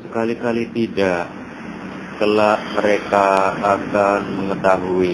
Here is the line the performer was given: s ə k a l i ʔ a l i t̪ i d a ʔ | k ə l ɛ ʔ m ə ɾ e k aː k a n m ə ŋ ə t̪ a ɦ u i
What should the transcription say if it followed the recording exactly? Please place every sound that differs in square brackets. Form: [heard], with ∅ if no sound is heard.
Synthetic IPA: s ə k a l i [k] a l i t̪ i d a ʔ | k ə l [a] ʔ m ə ɾ e k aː k a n m ə ŋ ə t̪ a ɦ u i